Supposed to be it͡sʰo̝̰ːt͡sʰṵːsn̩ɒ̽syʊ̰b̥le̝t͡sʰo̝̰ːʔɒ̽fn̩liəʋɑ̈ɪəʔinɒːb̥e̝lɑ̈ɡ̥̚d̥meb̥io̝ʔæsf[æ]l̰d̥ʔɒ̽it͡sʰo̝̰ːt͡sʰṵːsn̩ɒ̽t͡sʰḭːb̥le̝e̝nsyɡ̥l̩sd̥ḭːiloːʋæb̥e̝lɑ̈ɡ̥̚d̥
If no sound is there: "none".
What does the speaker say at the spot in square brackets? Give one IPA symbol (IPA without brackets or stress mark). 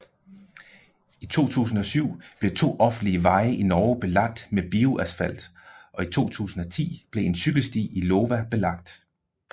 æ